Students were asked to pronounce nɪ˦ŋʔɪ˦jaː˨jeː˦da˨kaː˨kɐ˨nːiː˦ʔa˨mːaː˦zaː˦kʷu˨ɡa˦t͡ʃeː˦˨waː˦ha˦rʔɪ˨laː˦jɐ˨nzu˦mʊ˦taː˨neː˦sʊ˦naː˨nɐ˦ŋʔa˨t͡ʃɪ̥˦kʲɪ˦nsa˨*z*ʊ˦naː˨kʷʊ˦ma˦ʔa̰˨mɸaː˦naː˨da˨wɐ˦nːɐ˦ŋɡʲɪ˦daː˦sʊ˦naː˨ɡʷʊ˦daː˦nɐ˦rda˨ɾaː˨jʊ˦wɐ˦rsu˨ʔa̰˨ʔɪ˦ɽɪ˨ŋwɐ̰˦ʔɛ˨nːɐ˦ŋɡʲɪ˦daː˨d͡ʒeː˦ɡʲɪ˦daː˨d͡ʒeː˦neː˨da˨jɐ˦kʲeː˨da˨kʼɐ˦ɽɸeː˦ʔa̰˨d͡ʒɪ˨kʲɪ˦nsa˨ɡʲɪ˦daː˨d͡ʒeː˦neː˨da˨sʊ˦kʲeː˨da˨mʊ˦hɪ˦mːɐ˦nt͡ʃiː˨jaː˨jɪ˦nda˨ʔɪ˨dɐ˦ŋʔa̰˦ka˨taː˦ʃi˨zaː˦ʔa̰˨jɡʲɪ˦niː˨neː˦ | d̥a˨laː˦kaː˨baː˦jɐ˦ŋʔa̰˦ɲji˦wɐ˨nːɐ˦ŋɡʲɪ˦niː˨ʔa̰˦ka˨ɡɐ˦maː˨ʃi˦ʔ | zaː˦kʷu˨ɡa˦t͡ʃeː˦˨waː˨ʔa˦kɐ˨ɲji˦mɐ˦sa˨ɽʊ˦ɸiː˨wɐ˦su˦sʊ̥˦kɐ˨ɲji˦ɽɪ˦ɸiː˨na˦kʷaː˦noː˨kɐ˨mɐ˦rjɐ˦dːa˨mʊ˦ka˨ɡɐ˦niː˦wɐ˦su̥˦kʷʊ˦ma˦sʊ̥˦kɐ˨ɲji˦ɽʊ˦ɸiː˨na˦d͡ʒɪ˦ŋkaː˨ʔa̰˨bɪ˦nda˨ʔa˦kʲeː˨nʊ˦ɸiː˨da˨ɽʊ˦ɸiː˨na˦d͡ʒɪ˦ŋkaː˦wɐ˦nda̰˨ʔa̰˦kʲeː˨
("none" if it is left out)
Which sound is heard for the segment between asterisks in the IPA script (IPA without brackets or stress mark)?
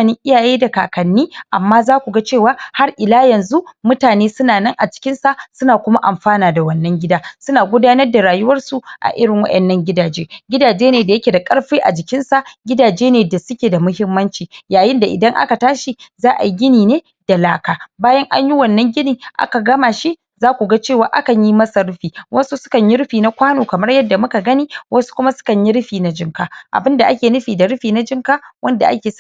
s